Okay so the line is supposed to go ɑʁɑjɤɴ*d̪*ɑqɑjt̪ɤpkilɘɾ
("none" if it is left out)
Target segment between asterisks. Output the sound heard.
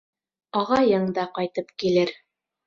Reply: d̪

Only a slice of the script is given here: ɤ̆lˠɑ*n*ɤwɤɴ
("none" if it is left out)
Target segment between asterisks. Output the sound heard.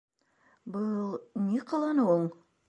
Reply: n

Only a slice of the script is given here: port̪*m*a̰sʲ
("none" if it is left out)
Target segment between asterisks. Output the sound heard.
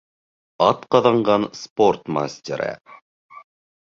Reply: m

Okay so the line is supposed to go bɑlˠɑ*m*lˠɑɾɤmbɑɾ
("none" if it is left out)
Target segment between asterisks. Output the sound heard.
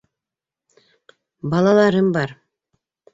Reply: none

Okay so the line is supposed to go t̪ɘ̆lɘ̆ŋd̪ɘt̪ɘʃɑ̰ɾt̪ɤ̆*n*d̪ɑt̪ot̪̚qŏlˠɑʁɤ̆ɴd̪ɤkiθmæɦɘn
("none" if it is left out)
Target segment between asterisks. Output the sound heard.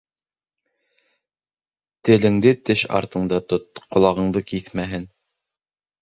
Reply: ɴ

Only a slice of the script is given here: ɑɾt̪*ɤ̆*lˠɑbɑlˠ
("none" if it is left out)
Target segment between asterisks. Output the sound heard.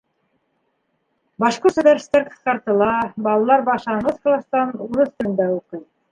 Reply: ɤ̆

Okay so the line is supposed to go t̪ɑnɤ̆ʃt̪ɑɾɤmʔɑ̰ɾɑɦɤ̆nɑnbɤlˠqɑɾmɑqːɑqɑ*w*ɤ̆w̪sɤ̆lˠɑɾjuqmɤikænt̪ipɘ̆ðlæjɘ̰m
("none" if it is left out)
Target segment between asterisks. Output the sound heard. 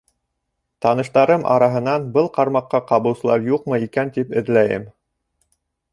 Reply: β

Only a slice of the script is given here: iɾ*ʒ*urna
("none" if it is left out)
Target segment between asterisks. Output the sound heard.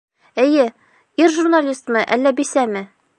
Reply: ʒ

